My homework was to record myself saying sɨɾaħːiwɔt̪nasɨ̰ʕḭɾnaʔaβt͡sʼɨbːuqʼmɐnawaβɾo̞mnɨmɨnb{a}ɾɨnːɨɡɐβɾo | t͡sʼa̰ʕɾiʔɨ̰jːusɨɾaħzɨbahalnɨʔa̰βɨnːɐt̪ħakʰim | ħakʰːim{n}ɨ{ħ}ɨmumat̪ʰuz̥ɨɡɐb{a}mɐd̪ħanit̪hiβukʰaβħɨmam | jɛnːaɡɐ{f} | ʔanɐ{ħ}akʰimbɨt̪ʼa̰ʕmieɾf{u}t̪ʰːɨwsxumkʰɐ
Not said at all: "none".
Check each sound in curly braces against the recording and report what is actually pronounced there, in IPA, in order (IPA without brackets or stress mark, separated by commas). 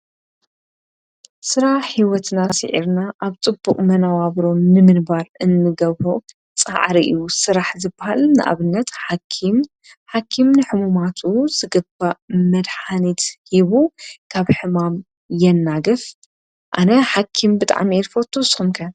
a, n, ħ, a, f, ħ, o